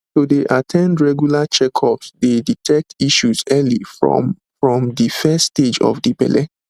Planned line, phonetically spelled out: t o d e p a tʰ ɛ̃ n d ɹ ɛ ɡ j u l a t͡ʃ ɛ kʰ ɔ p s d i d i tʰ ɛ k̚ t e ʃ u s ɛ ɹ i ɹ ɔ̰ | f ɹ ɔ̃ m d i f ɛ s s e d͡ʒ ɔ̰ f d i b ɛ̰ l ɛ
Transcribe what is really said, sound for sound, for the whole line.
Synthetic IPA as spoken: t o d e ʔ a tʰ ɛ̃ n d ɹ ɛ ɡ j u l a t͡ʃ ɛ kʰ ɔ p s d e d i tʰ ɛ k̚ t i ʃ u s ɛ l i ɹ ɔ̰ | f ɹ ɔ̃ m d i f ɛ s t e d͡ʒ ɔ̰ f d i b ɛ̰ l ɛ